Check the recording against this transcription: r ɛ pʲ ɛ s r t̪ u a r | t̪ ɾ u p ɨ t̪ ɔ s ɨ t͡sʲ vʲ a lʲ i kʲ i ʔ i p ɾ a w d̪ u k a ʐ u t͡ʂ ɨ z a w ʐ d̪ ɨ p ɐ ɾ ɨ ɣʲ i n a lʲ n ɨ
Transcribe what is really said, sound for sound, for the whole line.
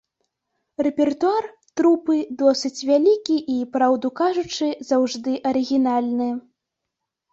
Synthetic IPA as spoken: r ɛ pʲ ɛ r t̪ u a r | t̪ ɾ u p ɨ d̪ ɔ s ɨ t͡sʲ vʲ a lʲ i kʲ i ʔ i p ɾ a w d̪ u k a ʐ u t͡ʂ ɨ z a w ʐ d̪ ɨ ʔ ɐ ɾ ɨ ɣʲ i n a lʲ n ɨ